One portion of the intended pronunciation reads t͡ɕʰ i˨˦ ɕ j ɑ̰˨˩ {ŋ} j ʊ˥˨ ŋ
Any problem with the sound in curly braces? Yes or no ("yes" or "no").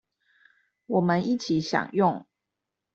no